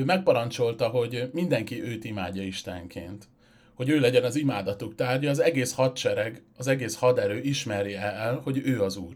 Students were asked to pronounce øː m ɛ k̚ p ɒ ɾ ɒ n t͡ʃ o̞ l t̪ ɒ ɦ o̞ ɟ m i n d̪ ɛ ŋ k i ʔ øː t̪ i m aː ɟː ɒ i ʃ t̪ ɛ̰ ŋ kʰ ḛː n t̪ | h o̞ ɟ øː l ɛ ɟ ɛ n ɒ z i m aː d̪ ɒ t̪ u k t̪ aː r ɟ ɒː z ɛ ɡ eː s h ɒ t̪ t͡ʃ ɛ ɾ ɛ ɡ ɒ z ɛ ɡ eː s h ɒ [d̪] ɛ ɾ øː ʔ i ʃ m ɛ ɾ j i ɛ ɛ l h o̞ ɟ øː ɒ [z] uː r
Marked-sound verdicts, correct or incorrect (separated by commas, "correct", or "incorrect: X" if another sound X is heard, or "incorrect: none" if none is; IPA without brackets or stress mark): correct, correct